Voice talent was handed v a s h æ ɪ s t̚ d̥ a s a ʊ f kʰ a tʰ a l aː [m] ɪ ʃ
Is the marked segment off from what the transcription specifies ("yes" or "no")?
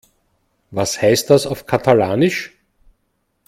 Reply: yes